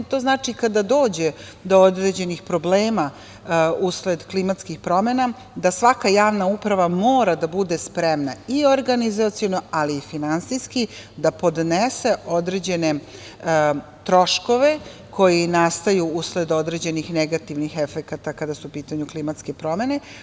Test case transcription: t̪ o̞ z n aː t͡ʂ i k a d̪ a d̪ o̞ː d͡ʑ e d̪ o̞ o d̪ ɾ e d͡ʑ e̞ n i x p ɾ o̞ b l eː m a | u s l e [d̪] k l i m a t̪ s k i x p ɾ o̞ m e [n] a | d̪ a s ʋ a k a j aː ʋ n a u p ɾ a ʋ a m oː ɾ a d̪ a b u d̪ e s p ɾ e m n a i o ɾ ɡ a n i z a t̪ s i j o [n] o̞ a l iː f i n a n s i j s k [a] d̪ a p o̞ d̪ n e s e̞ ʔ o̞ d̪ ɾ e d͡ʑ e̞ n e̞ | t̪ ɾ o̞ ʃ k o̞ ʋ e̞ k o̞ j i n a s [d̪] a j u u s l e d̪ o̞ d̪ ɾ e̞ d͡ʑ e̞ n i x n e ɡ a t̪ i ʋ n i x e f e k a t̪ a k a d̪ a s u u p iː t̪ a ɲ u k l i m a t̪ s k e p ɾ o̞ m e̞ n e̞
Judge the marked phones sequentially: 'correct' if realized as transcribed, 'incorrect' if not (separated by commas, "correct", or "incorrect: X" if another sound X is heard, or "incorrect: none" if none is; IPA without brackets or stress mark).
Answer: correct, correct, correct, incorrect: i, incorrect: t̪